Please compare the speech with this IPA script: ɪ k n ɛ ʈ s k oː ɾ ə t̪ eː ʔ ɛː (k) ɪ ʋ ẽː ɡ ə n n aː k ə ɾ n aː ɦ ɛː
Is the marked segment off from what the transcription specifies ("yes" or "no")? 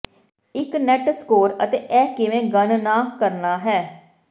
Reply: no